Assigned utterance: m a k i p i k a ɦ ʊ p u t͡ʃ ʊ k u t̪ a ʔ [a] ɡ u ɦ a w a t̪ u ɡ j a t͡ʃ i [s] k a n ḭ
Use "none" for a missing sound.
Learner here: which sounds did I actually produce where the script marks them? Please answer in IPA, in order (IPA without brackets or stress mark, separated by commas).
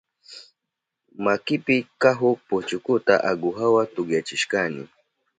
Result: a, ʃ